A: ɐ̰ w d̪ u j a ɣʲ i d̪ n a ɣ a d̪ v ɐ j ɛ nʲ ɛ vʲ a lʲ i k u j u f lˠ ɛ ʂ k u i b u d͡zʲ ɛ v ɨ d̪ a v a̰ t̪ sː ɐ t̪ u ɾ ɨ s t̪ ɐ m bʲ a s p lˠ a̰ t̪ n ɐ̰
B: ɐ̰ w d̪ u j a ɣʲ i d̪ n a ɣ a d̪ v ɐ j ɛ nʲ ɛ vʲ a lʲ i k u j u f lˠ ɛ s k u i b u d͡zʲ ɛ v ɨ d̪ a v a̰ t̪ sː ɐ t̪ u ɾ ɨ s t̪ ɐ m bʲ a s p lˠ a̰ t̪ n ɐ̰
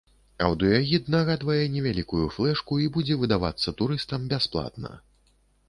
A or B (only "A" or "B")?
A